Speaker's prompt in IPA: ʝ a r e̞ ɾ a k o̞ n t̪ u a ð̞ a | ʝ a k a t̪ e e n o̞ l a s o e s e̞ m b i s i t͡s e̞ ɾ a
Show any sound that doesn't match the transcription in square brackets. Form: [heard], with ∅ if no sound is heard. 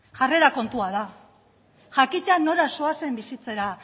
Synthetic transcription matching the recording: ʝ a r e̞ ɾ a k o̞ n t̪ u a ð̞ a | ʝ a k [i] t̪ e [a] n o̞ [ɾ] a s o [a] s e̞ m b i s i t͡s e̞ ɾ a